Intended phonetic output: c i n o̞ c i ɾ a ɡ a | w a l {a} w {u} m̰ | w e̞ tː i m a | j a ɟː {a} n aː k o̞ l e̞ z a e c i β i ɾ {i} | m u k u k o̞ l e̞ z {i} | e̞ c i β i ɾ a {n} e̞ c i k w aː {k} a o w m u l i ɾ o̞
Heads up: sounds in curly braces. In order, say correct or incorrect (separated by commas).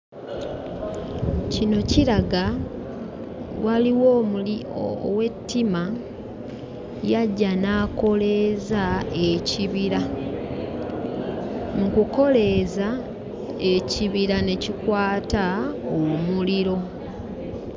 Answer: incorrect, incorrect, correct, incorrect, incorrect, correct, incorrect